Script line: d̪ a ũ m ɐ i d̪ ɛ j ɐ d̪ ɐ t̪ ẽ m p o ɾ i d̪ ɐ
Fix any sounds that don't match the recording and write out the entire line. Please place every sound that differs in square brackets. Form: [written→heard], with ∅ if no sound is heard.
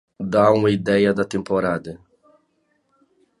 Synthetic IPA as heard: d̪ a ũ m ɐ i d̪ ɛ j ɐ d̪ ɐ t̪ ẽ m p o ɾ [i→a] d̪ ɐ